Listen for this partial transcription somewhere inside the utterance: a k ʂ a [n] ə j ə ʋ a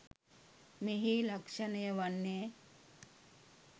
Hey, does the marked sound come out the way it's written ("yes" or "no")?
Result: yes